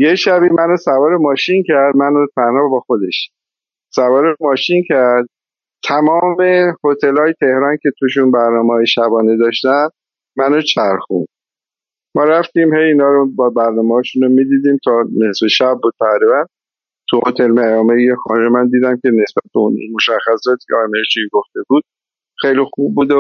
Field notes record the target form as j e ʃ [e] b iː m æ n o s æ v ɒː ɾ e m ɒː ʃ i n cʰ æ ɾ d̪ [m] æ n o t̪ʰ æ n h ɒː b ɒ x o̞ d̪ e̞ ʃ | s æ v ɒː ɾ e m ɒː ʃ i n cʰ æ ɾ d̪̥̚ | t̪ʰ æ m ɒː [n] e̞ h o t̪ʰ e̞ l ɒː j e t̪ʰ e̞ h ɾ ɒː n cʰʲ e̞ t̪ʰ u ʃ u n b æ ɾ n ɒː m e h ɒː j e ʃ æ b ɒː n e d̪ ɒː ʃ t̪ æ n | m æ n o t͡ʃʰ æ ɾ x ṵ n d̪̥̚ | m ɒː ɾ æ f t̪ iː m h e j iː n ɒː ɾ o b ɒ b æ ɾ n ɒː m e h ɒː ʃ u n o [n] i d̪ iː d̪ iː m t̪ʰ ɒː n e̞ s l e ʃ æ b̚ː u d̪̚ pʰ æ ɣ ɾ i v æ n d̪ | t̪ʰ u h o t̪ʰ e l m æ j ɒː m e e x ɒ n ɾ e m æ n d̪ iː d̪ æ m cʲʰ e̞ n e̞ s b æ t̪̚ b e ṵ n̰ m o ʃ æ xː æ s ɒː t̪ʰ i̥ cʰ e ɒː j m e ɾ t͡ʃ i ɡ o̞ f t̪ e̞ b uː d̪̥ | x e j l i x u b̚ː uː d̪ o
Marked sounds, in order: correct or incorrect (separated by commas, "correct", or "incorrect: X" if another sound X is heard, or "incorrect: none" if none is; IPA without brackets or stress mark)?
incorrect: æ, correct, incorrect: m, incorrect: m